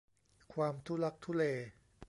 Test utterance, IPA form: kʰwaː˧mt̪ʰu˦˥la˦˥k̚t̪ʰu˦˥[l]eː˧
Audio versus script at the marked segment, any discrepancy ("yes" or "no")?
no